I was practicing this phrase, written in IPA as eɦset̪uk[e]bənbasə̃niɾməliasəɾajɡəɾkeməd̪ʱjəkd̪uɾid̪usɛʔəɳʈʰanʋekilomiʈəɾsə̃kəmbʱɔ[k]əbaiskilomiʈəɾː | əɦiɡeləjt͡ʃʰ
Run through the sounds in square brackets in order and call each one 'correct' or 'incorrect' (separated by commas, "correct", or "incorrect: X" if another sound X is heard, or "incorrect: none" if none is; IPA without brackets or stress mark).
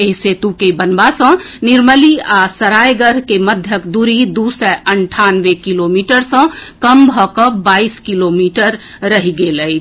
correct, correct